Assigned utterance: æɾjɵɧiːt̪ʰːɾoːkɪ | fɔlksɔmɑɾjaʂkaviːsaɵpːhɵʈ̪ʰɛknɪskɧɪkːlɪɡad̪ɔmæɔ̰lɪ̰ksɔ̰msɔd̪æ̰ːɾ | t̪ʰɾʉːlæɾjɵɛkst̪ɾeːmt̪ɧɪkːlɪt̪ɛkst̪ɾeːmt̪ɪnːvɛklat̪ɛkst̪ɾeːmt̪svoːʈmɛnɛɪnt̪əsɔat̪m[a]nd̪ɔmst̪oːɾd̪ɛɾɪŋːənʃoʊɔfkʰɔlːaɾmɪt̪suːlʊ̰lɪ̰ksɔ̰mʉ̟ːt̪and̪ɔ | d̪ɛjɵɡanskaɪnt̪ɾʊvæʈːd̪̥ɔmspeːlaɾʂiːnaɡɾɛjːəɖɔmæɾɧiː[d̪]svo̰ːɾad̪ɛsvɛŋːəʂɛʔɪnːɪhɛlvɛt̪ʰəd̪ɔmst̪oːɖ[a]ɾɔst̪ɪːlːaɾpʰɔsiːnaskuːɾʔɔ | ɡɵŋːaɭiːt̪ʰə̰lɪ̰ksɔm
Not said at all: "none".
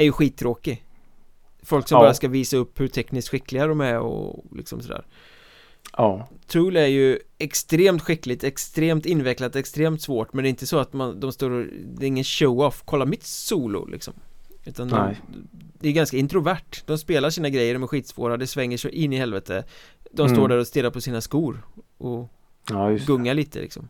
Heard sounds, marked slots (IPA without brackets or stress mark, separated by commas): a, t̪, æ